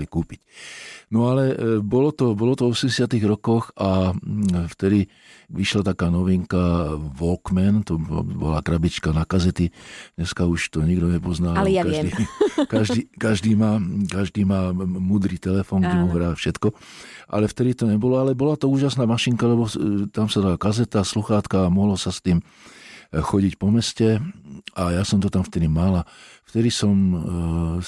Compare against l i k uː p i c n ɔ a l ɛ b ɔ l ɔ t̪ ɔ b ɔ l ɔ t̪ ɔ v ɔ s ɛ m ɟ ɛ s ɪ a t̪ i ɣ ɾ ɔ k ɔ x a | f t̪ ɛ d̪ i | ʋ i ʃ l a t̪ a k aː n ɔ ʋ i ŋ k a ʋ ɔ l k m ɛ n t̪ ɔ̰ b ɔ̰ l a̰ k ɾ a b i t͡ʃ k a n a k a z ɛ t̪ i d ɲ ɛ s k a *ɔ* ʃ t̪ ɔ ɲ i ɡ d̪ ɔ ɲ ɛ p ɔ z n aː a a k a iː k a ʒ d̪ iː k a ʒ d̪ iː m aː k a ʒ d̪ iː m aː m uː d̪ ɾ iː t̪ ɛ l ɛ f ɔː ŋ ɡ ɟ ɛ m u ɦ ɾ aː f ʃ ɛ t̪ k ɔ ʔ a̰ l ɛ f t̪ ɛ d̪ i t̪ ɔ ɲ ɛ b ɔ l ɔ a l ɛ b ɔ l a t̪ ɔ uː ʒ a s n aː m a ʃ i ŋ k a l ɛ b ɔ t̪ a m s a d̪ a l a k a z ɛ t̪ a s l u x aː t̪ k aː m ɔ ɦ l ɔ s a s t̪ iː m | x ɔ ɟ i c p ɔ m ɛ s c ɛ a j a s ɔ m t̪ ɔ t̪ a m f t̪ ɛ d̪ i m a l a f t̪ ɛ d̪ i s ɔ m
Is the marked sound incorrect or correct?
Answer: incorrect